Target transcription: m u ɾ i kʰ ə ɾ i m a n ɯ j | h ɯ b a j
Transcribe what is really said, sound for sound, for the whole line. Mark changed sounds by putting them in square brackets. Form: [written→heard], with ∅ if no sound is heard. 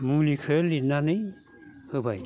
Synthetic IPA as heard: m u [ɾ→l] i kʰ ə [ɾ→l] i [m→n] a n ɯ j | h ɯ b a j